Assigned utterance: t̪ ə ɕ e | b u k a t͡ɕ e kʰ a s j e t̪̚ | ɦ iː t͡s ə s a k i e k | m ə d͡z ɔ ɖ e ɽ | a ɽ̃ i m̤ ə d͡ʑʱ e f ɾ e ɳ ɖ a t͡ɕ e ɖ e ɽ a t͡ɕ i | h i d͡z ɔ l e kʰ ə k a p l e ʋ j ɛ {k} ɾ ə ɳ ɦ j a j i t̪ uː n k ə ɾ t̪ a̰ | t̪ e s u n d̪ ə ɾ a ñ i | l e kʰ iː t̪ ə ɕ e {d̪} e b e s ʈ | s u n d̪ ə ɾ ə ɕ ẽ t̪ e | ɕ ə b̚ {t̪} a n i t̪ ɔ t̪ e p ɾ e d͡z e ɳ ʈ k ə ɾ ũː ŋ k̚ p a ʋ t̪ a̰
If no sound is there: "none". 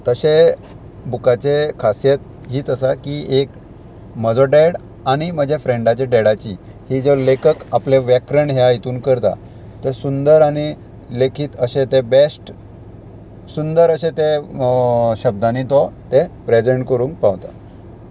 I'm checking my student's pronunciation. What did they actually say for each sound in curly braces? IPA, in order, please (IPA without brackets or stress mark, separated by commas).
k, t̪, d̪